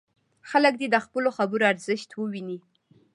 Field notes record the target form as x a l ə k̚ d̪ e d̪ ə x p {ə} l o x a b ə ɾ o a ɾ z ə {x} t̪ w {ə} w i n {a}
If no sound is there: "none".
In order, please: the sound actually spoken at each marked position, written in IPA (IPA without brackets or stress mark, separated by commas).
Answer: ə, ʃ, ə, i